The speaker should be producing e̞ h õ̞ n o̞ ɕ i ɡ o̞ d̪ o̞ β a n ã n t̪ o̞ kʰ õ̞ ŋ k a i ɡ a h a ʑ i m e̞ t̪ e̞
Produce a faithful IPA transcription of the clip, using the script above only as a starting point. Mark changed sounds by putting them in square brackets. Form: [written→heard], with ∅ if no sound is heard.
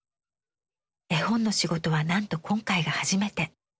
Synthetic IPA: e̞ h õ̞ [n→nː] o̞ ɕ i ɡ o̞ [d̪→t̪] o̞ β a n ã n t̪ o̞ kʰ õ̞ ŋ k a i ɡ a h a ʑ i m e̞ t̪ e̞

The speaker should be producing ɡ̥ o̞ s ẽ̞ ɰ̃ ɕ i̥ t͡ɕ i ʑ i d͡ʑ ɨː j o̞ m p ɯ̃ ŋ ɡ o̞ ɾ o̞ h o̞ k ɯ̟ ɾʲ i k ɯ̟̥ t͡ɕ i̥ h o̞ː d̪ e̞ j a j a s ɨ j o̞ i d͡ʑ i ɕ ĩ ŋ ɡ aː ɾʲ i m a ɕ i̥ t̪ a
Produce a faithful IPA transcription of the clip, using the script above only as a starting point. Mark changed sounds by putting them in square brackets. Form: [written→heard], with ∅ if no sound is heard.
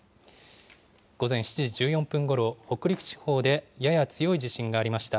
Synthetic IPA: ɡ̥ o̞ [s→z] ẽ̞ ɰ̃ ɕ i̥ t͡ɕ i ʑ i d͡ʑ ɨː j [o̞→õ̞] m p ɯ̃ ŋ ɡ o̞ ɾ o̞ h o̞ k ɯ̟ ɾʲ i k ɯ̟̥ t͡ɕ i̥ h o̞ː d̪ e̞ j a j a [s→t͡s] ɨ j o̞ i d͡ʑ i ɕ ĩ ŋ ɡ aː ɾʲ i m a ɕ i̥ t̪ a

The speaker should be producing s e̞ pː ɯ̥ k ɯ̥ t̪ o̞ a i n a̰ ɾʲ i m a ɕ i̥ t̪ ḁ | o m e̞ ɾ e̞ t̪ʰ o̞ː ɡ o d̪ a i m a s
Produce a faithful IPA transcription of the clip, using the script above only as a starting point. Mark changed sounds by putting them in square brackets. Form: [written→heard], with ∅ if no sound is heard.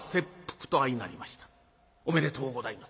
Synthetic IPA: s e̞ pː ɯ̥ k ɯ̥ t̪ o̞ a i n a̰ ɾʲ i m a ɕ i̥ t̪ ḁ | o m e̞ ɾ e̞ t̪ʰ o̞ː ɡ o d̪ a i m a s

